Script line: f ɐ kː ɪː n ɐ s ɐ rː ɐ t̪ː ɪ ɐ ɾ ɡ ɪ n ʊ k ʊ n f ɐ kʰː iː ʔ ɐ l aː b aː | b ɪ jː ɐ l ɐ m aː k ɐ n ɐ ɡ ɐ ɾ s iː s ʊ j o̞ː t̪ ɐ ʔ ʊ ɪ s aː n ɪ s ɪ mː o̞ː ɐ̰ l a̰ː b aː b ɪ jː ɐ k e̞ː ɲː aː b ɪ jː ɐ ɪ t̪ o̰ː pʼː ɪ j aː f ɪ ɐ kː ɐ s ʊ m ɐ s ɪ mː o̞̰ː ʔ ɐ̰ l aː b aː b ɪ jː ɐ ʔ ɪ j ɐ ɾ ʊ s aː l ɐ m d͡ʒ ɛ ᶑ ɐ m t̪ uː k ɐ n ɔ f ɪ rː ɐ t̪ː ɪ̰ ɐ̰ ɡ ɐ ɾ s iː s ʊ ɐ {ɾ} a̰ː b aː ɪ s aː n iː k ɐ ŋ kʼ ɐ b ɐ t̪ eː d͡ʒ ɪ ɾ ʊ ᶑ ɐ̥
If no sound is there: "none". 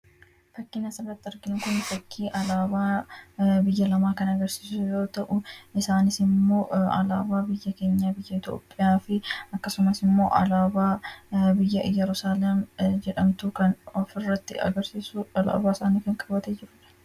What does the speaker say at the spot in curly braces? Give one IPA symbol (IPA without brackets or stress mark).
l